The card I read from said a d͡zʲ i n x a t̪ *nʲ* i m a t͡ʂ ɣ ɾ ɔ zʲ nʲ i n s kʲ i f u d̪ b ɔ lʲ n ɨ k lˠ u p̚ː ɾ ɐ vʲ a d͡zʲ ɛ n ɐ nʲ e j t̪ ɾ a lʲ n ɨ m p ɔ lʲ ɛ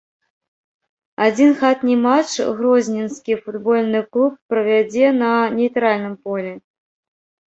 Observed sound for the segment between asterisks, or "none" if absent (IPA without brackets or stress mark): nʲ